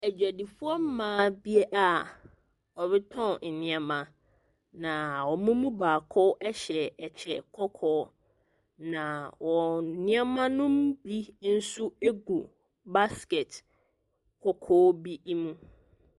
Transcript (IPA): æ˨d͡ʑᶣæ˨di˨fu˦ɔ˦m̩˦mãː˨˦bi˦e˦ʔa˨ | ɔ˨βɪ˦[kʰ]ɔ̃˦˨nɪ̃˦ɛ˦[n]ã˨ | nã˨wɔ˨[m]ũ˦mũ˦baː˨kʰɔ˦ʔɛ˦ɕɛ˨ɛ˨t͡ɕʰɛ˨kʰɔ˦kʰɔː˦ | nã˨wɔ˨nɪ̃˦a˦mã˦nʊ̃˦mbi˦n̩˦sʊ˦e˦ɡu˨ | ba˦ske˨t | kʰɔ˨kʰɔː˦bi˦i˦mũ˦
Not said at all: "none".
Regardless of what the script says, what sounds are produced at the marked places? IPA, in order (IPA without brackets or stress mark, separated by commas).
tʰ, m, m